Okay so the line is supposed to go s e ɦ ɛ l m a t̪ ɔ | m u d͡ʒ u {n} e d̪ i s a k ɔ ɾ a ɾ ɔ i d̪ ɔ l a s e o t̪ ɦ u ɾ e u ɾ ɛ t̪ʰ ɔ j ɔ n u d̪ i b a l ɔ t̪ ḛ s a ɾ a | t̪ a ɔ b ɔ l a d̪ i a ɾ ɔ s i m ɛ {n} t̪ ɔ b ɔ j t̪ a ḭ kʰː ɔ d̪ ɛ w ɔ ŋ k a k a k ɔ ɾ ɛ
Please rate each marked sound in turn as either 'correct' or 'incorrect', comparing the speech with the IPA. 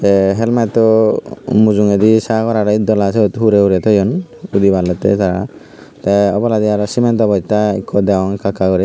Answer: incorrect, correct

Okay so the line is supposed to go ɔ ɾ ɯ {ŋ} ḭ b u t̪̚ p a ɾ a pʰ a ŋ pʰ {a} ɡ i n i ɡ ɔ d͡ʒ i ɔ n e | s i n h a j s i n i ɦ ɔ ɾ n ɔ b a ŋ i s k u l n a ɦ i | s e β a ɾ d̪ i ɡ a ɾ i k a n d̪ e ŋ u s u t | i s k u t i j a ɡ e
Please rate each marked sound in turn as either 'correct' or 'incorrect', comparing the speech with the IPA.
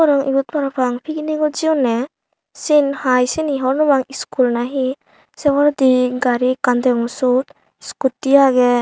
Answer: correct, incorrect

